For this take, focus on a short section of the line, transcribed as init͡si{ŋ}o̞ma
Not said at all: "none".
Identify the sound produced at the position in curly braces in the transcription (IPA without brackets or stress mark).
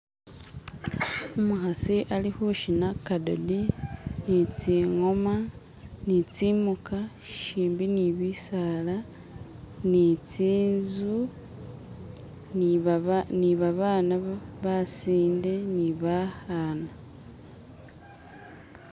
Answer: ŋ